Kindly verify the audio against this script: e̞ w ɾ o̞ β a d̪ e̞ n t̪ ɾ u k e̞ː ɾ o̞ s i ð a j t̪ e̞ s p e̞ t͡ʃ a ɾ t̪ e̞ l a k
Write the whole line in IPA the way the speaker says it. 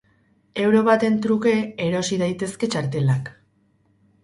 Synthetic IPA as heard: e̞ w ɾ o̞ β a t̪ e̞ n t̪ ɾ u k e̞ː ɾ o̞ s i ð a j t̪ e̞ s k e̞ t͡ʃ a ɾ t̪ e̞ l a k